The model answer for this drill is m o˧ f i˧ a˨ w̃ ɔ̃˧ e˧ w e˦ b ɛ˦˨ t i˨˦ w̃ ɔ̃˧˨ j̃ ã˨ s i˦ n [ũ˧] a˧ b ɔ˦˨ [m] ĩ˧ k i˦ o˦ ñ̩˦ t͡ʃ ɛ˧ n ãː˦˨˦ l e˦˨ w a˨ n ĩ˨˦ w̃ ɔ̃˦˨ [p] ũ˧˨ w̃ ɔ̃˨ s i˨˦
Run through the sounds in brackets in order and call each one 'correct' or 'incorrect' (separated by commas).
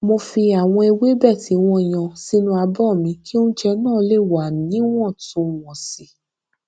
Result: correct, correct, incorrect